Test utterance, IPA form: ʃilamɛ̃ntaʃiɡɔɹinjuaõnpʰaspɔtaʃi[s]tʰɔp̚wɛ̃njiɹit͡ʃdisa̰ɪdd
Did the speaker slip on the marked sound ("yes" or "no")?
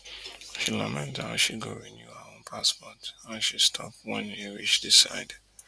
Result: no